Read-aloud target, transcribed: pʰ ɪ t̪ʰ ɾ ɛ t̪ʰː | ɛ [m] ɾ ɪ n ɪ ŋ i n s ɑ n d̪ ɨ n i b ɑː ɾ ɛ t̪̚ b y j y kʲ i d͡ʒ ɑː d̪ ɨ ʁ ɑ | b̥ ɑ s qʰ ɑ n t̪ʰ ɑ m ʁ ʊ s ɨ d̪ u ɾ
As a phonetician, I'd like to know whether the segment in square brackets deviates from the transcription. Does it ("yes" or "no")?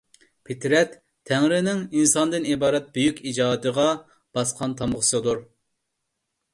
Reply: yes